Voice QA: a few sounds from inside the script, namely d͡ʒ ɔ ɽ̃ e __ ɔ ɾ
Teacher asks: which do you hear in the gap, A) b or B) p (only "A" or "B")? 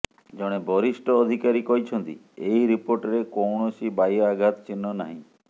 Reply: A